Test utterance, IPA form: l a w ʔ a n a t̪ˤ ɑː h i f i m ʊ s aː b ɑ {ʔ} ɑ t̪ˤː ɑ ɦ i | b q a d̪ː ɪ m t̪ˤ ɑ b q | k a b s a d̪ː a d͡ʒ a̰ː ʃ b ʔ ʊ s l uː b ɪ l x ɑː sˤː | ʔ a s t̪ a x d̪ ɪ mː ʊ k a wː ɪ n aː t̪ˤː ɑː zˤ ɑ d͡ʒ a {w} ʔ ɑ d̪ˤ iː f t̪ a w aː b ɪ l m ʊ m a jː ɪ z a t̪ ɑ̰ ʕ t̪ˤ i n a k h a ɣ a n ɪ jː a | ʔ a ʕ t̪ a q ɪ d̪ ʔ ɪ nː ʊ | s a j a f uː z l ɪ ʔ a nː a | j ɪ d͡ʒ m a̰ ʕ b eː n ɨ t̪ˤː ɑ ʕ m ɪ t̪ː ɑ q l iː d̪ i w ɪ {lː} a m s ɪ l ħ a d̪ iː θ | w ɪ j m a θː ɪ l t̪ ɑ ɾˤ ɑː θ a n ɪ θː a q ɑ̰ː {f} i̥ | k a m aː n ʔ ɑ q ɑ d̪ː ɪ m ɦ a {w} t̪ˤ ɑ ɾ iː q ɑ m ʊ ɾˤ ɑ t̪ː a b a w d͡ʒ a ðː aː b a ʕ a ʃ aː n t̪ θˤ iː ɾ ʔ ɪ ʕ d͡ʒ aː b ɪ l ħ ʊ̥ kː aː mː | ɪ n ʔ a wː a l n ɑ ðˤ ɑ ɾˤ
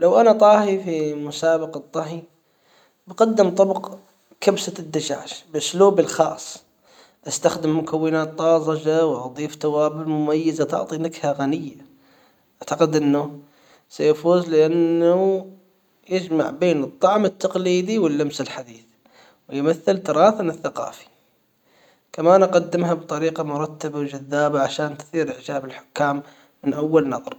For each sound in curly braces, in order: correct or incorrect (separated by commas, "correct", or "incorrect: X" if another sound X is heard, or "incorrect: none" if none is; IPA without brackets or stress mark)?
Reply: incorrect: q, correct, correct, correct, incorrect: b